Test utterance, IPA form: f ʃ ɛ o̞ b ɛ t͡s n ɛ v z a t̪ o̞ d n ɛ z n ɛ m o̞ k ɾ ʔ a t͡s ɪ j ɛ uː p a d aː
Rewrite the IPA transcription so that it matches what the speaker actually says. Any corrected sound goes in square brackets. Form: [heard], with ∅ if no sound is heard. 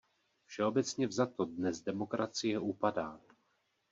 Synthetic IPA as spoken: f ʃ ɛ o̞ b ɛ t͡s [ɲ] ɛ v z a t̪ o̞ d n ɛ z [d] ɛ m o̞ k ɾ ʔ a t͡s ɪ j ɛ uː p a d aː